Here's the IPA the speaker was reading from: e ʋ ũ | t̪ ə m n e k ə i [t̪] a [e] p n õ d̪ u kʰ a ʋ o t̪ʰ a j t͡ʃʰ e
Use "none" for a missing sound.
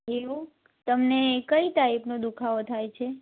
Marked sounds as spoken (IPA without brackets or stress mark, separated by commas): t̪, i